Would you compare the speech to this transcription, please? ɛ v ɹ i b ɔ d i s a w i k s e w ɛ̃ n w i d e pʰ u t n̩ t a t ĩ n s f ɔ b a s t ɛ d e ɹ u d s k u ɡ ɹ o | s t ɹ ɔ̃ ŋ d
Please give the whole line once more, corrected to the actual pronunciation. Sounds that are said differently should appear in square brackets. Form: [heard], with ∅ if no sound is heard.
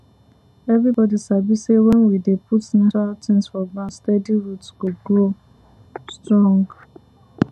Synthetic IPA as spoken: ɛ v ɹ i b ɔ d i s a [b] i [∅] s e w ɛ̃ n w i d e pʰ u t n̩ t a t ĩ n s f ɔ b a s t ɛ d [i] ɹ u [t] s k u ɡ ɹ o | s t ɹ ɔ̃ ŋ [ɡ]